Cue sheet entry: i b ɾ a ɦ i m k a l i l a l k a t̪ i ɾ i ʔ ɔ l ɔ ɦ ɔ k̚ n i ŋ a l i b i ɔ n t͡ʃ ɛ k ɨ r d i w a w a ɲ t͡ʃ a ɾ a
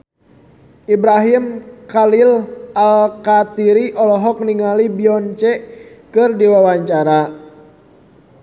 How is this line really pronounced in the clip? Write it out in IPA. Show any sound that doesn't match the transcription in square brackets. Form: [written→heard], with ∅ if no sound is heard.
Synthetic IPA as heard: i b ɾ a ɦ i m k a l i l a l k a t̪ i ɾ i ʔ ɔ l ɔ ɦ ɔ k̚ n i ŋ a l i b i ɔ n t͡ʃ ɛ k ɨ r d i w a w a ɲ t͡ʃ a ɾ a